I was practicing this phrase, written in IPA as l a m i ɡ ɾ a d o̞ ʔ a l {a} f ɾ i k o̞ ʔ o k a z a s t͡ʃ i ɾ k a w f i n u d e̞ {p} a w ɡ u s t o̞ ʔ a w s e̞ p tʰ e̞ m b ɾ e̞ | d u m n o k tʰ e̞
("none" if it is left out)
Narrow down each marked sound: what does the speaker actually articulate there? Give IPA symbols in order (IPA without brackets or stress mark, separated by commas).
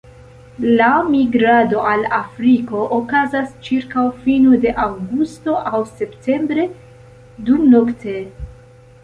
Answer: a, ʔ